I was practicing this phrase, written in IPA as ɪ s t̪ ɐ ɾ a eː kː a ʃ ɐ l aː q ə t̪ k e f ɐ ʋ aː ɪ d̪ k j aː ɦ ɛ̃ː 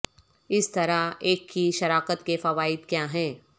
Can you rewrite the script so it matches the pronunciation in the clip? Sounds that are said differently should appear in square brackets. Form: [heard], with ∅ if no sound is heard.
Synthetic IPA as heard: ɪ s t̪ ɐ ɾ a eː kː [i] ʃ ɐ [ɾ] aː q ə t̪ k e f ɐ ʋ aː ɪ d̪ k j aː ɦ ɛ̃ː